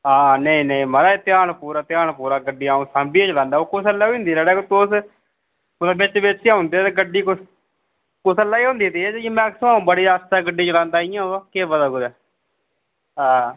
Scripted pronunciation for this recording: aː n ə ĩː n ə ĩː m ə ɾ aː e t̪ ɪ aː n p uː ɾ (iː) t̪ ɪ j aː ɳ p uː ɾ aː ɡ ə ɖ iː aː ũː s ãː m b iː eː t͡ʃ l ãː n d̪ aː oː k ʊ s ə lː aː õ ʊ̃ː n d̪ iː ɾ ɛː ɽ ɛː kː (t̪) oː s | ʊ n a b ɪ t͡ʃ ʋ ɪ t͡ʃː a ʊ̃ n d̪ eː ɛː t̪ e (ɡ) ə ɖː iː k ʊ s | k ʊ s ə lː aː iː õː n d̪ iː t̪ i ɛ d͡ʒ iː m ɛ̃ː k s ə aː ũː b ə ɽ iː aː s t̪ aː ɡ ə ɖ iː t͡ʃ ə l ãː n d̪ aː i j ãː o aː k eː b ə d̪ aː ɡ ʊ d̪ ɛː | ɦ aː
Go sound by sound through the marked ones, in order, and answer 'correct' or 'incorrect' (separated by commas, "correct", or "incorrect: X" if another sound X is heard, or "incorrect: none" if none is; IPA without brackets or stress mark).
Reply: incorrect: aː, correct, correct